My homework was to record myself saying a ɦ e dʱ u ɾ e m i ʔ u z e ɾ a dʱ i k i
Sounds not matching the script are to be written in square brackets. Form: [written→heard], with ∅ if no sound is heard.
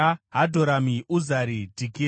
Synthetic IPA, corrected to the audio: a ɦ [e→a] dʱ [u→o] ɾ [e→a] m i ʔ u z [e→a] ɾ [a→i] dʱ i k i